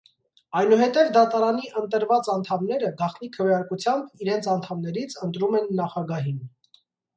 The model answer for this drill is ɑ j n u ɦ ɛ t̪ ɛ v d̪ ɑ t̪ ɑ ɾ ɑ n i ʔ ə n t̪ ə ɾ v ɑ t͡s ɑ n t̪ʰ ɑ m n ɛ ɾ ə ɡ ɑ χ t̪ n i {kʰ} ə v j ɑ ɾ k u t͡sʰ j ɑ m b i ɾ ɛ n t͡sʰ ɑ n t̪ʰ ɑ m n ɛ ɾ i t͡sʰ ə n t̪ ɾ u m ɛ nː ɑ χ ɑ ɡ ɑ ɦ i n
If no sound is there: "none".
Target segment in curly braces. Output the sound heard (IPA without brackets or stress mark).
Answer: kʰ